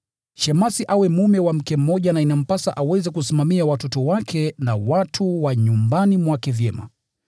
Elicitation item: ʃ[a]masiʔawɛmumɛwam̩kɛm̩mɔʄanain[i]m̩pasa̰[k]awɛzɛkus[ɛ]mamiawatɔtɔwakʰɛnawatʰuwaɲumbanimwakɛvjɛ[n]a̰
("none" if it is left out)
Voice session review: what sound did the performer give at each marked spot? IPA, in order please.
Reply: ɛ, a, ʔ, i, m

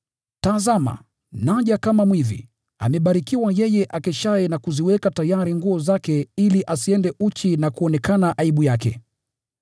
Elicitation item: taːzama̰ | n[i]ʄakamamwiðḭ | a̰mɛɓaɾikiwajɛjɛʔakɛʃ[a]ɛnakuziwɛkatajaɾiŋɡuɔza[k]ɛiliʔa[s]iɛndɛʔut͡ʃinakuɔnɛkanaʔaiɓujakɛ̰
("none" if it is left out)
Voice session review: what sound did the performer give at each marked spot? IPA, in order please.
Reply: a, a, k, s

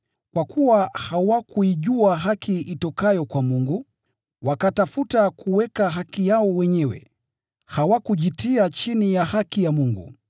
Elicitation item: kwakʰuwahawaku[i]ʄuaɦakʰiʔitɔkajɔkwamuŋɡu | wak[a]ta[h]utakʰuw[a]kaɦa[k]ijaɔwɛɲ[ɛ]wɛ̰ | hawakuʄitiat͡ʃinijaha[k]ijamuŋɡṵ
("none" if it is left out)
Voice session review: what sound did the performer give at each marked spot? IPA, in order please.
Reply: i, a, f, ɛ, k, ɛ, k

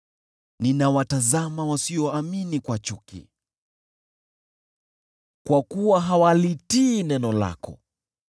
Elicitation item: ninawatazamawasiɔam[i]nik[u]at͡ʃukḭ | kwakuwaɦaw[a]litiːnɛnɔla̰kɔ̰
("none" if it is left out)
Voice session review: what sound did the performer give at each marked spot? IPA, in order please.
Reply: i, w, a

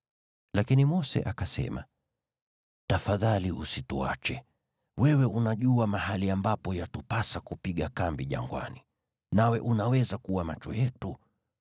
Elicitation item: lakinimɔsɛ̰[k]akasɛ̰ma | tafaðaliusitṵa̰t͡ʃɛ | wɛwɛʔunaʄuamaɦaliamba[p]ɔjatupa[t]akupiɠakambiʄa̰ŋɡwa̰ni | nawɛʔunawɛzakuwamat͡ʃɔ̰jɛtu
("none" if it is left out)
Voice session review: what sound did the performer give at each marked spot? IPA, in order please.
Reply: ʔ, p, s

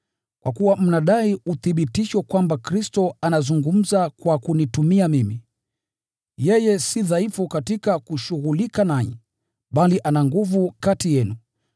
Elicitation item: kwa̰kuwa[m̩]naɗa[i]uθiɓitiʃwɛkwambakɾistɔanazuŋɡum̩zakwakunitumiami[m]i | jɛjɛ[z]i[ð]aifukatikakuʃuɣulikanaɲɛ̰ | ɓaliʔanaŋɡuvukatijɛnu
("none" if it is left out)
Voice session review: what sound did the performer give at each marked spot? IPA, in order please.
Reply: m̩, i, m, s, ð

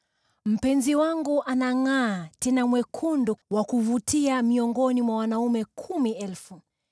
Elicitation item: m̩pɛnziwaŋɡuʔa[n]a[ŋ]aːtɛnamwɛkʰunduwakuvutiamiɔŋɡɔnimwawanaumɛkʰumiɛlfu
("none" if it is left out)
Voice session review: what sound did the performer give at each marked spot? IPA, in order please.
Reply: n, ŋ

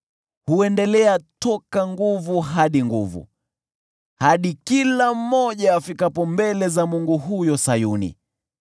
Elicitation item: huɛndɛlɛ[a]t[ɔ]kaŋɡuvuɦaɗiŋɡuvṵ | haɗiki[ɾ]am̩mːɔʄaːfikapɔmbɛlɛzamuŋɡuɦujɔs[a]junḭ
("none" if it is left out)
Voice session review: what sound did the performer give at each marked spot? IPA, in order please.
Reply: a, ɔ, l, a

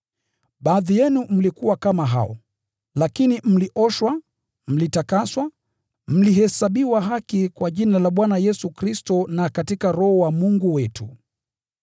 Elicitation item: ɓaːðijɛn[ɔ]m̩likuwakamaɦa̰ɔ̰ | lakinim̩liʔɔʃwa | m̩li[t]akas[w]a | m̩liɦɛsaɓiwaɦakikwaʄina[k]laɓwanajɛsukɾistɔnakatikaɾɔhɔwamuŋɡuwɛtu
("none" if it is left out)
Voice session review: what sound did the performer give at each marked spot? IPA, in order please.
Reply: u, t, w, none

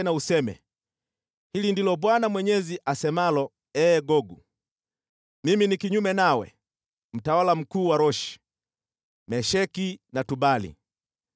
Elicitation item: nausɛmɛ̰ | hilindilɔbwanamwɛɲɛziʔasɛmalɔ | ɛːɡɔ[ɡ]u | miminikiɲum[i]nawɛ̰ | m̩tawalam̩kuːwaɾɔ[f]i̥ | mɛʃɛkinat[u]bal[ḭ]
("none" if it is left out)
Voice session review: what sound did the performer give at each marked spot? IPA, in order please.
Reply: ɡ, ɛ, ʃ, u, ḭ

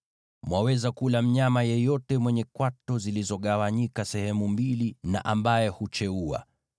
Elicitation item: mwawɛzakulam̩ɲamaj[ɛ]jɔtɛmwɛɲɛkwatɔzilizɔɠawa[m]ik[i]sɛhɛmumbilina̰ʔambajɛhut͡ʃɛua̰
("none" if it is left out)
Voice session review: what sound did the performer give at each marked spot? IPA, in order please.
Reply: ɛ, ɲ, a

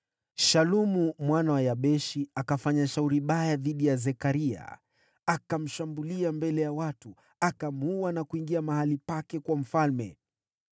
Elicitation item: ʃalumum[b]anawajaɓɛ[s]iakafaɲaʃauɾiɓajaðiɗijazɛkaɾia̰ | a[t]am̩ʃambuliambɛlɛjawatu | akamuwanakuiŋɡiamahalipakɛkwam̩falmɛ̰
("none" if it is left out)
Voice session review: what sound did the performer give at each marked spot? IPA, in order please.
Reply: w, ʃ, k

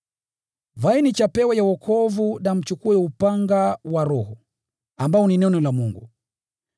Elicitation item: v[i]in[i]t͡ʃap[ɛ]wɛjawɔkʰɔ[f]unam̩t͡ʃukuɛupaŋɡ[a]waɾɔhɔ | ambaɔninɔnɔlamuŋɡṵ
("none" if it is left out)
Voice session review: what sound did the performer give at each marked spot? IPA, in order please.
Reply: a, i, ɛ, v, a

